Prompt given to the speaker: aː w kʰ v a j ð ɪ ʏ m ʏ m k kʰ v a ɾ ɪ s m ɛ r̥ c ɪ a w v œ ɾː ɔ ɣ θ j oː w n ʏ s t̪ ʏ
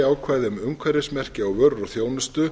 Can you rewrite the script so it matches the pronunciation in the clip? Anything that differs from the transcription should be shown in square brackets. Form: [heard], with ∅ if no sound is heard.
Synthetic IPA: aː w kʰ v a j ð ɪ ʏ m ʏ m k kʰ v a ɾ ɪ s m ɛ r̥ c ɪ a w v œ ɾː ɔ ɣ θ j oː w n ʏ s t̪ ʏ